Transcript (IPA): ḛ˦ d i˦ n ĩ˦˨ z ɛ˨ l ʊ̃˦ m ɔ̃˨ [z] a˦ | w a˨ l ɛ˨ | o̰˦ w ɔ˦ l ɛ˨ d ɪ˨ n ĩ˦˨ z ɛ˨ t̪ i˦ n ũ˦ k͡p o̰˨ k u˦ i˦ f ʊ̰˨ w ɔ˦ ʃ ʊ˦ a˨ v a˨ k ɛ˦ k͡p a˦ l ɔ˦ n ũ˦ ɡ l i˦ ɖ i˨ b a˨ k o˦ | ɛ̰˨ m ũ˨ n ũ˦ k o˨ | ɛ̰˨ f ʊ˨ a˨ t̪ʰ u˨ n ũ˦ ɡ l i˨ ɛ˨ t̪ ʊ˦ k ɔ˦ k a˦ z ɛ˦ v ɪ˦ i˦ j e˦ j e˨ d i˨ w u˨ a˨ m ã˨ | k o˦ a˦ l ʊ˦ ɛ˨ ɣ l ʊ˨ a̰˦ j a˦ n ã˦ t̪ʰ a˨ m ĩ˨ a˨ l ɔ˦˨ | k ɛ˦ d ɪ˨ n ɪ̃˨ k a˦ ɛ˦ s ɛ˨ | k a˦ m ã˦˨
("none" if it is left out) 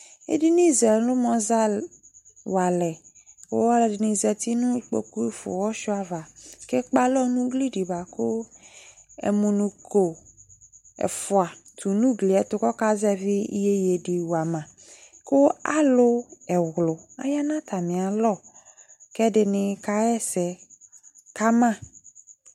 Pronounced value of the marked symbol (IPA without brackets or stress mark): z